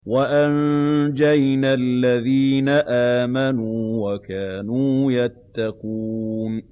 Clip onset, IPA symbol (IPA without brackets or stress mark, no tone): w